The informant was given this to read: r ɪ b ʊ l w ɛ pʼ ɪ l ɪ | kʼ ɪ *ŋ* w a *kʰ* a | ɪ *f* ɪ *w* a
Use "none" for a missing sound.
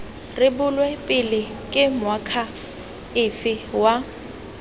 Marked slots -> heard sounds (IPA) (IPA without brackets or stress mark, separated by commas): m, kʰ, f, w